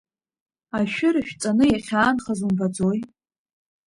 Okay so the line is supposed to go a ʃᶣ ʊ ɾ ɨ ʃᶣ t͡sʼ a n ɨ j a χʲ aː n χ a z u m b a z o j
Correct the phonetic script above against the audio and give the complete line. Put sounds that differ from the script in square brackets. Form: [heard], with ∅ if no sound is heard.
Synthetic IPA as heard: a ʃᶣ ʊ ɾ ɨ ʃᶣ t͡sʼ a n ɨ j a χʲ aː n χ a z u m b a [d͡z] o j